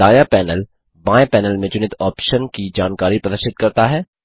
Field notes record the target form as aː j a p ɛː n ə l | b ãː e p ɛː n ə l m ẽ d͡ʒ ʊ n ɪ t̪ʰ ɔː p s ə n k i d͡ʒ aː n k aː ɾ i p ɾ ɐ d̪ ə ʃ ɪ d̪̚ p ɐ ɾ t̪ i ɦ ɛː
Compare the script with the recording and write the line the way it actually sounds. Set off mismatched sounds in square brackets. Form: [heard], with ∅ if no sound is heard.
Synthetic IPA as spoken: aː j a p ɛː n ə l | b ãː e p ɛː n ə l m ẽ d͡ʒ ʊ n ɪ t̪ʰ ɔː p [ʃ] ə n k i d͡ʒ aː n k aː ɾ i p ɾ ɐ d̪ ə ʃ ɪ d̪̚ [k] ɐ ɾ t̪ [a] ɦ ɛː